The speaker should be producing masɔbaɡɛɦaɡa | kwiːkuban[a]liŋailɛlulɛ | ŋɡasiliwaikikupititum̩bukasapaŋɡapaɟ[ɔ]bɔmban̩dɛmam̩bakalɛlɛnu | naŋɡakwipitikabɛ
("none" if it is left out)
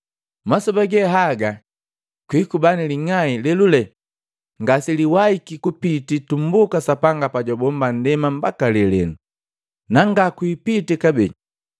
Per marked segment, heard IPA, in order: i, ɔ

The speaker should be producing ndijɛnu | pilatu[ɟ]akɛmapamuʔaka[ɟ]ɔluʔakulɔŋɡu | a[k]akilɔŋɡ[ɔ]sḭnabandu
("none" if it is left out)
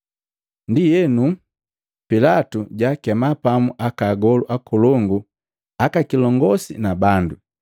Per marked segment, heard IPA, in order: ɟ, ɡ, k, ɔ

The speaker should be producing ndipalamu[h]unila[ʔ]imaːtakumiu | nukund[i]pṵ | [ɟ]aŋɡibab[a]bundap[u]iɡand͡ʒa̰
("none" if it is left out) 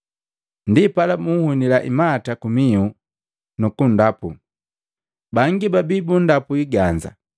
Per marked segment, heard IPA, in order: h, ʔ, a, b, i, u

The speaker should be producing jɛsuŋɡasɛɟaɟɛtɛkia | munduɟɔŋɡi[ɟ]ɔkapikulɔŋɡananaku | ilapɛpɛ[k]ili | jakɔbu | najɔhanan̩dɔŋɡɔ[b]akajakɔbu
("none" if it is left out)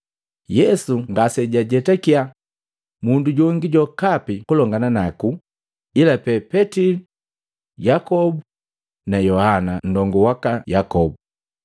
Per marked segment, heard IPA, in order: ɟ, t, w

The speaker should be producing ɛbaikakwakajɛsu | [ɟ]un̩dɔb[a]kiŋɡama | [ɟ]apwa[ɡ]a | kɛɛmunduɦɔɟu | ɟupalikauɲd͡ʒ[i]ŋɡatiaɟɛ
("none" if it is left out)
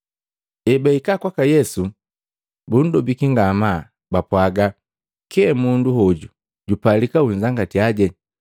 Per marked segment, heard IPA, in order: b, i, b, ɡ, a

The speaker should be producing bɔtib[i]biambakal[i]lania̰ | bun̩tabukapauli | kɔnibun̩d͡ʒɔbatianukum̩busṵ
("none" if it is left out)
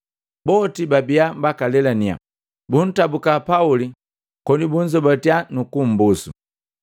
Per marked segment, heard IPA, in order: a, ɛ

